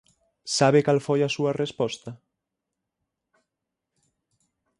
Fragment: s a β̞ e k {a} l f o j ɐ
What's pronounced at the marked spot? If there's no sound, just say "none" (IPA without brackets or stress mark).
a